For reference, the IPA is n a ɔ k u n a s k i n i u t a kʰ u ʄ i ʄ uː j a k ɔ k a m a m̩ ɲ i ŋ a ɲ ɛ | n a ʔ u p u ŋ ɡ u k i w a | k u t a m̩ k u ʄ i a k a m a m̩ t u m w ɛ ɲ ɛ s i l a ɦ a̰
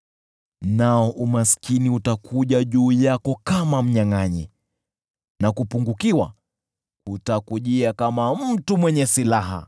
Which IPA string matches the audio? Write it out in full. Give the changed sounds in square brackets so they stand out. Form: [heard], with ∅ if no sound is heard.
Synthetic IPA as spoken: n a ɔ [ʔ] u [m] a s k i n i u t a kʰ u ʄ [a] ʄ uː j a k ɔ k a m a m̩ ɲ [a] ŋ a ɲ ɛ | n a [k] u p u ŋ ɡ u k i w a | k u t a [∅] k u ʄ i a k a m a m̩ t u m w ɛ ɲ ɛ s i l a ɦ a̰